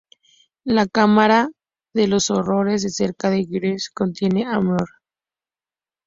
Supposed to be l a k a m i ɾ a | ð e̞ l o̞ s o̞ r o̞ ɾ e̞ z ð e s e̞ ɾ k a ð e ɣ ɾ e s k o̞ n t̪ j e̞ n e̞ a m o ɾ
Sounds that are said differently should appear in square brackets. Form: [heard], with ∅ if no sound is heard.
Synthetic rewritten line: l a k a m [a] ɾ a | ð e̞ l o̞ s o̞ r o̞ ɾ e̞ z ð e s e̞ ɾ k a ð e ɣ ɾ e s k o̞ n t̪ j e̞ n e̞ a m o ɾ

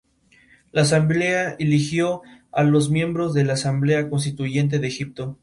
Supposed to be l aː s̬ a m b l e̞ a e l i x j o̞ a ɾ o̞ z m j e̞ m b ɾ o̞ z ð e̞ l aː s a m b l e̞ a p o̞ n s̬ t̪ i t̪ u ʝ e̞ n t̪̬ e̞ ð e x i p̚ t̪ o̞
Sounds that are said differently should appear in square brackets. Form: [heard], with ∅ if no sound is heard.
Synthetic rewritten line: l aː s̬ a m b l e̞ a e l i x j o̞ a [l] o̞ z m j e̞ m b ɾ o̞ z ð e̞ l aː s a m b l e̞ a [k] o̞ n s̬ t̪ i t̪ u ʝ e̞ n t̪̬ e̞ ð e x i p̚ t̪ o̞

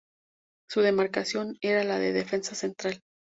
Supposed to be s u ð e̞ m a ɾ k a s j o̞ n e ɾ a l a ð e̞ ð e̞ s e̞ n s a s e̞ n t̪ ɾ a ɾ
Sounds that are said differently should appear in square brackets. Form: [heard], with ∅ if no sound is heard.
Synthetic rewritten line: s u ð e̞ m a ɾ k a s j o̞ n e ɾ a l a ð e̞ ð e̞ [f] e̞ n s a s e̞ n t̪ ɾ a [l]

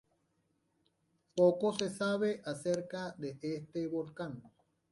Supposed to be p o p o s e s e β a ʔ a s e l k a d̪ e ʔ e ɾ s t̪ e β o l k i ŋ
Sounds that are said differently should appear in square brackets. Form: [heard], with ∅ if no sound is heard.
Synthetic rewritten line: p o [k] o s e s [a] β [e] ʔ a s e [ɾ] k a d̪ e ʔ e [∅] s t̪ e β o l k [a] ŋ

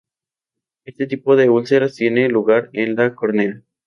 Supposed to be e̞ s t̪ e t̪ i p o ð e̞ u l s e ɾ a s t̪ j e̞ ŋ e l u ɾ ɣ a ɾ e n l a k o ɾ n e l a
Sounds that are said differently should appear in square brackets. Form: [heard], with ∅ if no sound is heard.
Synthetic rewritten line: e̞ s t̪ e t̪ i p o ð e̞ u l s e ɾ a s t̪ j e̞ [n] e l u [∅] ɣ a ɾ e n l a k o ɾ n e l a

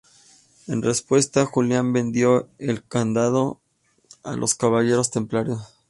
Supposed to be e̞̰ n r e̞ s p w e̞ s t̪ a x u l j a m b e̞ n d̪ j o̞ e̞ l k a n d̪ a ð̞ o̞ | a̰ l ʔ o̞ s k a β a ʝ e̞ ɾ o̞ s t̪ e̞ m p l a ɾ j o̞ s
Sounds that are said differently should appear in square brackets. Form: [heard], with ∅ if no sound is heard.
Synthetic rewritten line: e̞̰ n r e̞ s p w e̞ s t̪ a x u l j a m b e̞ n d̪ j o̞ e̞ l k a n d̪ a ð̞ o̞ | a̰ l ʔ o̞ s k a β a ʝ e̞ ɾ o̞ s t̪ e̞ m p l a ɾ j o̞ s

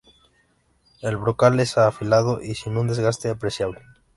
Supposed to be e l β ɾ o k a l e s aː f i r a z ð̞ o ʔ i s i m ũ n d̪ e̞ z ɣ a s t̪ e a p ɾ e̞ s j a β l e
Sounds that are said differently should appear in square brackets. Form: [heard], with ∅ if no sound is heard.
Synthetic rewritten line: e l β ɾ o k a l e s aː f i [l] a [∅] ð̞ o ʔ i s i [n] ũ n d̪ e̞ z ɣ a s t̪ e a p ɾ e̞ s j a β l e

